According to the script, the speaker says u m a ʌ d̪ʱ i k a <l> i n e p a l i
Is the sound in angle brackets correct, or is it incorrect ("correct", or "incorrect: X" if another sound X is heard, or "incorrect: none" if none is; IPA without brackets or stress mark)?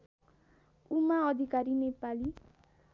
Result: incorrect: ɾ